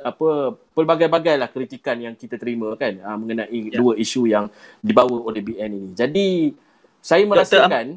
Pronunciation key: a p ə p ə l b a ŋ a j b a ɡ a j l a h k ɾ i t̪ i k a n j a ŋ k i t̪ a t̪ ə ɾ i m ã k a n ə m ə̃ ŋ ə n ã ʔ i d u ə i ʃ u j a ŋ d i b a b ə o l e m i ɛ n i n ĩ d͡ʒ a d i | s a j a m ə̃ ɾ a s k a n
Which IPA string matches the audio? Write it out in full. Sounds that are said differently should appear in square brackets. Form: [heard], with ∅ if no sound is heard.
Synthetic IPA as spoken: a p ə p ə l b a [ɡ] a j b a ɡ a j l a h k ɾ i t̪ i k a n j a ŋ k i t̪ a t̪ ə ɾ i m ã k a n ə m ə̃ ŋ ə n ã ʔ i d u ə i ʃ u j a ŋ d i b a [w] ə o l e [b] i ɛ n i n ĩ d͡ʒ a d i | s a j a m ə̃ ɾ a s k a n